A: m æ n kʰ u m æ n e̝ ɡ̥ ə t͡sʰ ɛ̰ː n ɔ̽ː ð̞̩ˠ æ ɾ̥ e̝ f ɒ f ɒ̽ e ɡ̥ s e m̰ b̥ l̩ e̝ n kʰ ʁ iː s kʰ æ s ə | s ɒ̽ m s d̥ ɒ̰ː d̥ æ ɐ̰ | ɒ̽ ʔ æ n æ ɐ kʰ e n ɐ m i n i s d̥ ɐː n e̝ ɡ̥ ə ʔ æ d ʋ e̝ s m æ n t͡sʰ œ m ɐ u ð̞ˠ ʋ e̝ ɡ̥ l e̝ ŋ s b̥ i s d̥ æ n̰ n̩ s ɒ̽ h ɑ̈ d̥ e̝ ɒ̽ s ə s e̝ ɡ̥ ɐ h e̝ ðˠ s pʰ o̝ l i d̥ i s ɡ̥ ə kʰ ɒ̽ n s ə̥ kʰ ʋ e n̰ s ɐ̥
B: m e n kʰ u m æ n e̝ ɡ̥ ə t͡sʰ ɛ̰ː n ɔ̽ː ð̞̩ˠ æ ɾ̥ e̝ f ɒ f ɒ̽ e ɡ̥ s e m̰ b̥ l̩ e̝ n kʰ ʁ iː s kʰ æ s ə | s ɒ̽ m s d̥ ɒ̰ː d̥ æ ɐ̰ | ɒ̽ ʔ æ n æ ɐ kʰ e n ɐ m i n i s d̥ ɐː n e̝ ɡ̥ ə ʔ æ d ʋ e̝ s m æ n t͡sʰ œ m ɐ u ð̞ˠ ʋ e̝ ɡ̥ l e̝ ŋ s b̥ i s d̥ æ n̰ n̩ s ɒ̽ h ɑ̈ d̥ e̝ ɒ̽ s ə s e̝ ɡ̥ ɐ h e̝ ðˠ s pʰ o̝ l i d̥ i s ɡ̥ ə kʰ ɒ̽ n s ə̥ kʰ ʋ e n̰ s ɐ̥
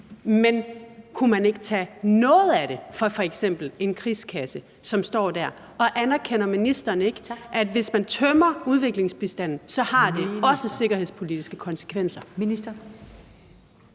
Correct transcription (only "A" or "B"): B